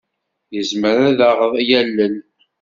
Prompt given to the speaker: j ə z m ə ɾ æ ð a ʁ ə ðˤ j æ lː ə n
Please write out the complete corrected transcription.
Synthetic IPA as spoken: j ə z m ə ɾ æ ð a ʁ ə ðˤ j æ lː ə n